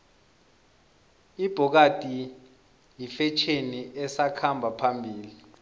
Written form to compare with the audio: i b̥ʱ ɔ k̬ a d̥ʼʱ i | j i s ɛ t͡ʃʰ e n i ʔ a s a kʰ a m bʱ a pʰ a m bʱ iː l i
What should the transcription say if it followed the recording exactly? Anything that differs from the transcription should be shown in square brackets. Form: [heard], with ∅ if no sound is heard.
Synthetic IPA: i b̥ʱ ɔ k̬ a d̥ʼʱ i | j i [f] ɛ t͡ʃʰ e n i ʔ [ɛ] s a kʰ a m bʱ a pʰ a m bʱ iː l i